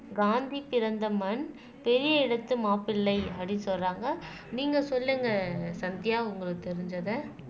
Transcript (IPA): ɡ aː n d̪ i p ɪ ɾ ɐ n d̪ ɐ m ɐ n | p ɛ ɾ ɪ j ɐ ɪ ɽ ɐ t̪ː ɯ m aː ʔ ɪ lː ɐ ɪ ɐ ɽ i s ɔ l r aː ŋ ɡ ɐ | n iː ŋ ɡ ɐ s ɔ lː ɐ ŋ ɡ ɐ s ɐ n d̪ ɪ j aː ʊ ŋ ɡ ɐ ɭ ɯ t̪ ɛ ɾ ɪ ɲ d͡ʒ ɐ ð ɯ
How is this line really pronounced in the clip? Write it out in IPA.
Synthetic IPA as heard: ɡ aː n d̪ i p ɪ ɾ ɐ n d̪ ɐ m ɐ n | p ɛ ɾ ɪ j ɐ ɪ ɽ ɐ t̪ː ɯ m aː p ɪ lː ɐ ɪ ɐ ɽ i s ɔ l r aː ŋ ɡ ɐ | n iː ŋ ɡ ɐ s ɔ lː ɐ ŋ ɡ ɐ s ɐ n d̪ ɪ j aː ʊ ŋ ɡ ɐ ɭ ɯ t̪ ɛ ɾ ɪ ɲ d͡ʒ ɐ ð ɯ